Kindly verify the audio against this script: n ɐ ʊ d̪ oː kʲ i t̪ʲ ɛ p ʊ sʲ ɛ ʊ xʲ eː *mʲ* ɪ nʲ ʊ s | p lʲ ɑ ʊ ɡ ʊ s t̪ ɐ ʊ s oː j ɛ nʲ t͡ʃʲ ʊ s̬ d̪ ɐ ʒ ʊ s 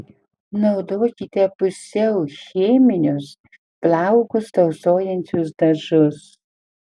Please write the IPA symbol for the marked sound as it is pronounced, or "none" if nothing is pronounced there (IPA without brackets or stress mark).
mʲ